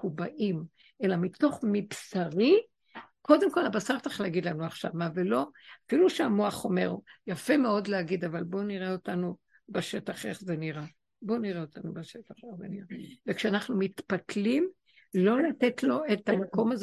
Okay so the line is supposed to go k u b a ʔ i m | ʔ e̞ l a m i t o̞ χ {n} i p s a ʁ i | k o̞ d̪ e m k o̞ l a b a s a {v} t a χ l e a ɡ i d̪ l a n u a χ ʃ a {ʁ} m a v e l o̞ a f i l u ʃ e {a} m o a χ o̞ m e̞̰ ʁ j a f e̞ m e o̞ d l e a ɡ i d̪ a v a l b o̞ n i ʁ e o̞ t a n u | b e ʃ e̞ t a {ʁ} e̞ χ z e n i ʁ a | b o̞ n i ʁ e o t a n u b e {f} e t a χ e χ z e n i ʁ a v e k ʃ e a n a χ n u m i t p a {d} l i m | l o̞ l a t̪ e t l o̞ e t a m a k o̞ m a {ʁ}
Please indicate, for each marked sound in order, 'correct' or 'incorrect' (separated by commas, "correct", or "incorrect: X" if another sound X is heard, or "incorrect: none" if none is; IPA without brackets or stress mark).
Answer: incorrect: m, incorrect: ʁ, incorrect: v, correct, incorrect: χ, incorrect: ʃ, incorrect: t, incorrect: z